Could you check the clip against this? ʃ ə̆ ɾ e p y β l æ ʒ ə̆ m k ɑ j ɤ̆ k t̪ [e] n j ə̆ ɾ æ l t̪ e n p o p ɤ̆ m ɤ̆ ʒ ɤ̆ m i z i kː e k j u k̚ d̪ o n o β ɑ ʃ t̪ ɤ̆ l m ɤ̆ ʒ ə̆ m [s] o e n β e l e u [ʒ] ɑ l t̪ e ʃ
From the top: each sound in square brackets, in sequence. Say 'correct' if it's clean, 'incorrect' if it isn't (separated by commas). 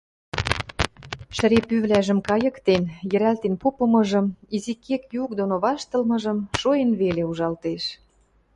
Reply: correct, incorrect, correct